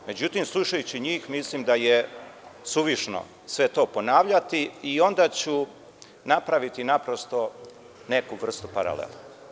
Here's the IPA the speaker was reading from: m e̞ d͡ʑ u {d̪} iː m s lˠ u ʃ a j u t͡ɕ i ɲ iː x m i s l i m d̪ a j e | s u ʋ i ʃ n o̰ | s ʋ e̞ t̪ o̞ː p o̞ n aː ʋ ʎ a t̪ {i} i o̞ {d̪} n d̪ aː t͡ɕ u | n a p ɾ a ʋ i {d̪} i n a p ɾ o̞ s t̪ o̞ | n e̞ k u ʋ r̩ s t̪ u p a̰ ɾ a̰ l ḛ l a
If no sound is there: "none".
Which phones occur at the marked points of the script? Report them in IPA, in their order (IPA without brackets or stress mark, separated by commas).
t̪, i, none, t̪